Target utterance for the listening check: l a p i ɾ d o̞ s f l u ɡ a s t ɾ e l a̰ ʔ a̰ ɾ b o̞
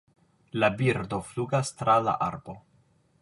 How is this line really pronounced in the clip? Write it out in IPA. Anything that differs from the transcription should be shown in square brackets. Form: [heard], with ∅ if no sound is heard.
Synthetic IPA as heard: l a [b] i ɾ d o̞ [∅] f l u ɡ a s t ɾ [a] l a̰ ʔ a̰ ɾ b o̞

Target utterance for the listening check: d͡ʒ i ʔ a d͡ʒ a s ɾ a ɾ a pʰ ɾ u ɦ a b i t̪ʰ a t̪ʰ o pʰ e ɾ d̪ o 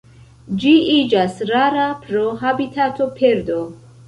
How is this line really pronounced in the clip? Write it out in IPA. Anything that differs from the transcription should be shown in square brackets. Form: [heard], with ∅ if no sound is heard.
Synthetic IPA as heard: d͡ʒ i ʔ [i] d͡ʒ a s ɾ a ɾ a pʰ ɾ [o] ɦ a b i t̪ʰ a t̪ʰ o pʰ e ɾ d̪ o

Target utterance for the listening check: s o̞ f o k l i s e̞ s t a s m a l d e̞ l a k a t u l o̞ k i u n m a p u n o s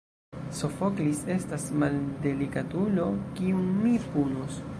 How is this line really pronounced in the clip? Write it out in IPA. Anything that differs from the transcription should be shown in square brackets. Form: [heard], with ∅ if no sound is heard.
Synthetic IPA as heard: s o̞ f o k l i s e̞ s t a s m a l d e̞ l [i] k a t u l o̞ k i u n m [i] p u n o s

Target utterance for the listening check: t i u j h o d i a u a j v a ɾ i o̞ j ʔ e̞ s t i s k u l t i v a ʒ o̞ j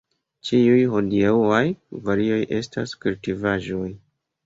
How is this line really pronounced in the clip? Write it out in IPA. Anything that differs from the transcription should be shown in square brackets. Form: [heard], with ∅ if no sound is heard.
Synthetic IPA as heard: [t͡ʃ] i u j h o d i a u a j v a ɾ i o̞ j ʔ e̞ s t [a] s k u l t i v a ʒ o̞ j

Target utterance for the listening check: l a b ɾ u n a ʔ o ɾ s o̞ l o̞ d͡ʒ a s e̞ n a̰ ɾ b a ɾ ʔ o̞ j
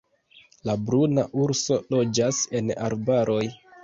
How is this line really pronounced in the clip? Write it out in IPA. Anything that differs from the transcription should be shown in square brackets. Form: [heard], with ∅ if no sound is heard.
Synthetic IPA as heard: l a b ɾ u n a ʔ [u] ɾ s o̞ l o̞ d͡ʒ a s e̞ n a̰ ɾ b a ɾ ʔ o̞ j

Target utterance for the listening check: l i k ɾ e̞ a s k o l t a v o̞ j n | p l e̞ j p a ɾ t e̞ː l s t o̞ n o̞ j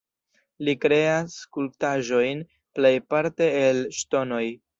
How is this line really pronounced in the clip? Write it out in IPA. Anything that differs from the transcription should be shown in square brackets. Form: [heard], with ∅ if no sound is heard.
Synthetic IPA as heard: l i k ɾ e̞ a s k [u] l t a [ʒ] o̞ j n | p l e̞ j p a ɾ t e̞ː l [ʃ] t o̞ n o̞ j

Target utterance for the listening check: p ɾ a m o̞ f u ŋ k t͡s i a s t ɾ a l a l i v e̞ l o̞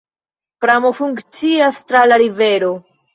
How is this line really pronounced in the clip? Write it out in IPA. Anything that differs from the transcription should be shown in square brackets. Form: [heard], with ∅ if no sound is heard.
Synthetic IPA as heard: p ɾ a m o̞ f u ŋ k t͡s i a s t ɾ a l a [ɾ] i v e̞ [ɾ] o̞

